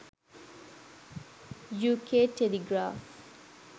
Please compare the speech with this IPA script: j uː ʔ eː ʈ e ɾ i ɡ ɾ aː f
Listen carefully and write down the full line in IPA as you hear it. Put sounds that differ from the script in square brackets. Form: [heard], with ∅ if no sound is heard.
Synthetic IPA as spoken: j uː [k] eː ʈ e [l] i ɡ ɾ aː f